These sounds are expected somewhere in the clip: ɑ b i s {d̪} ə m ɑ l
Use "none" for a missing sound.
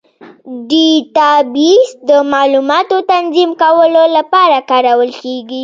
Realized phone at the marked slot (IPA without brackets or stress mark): d̪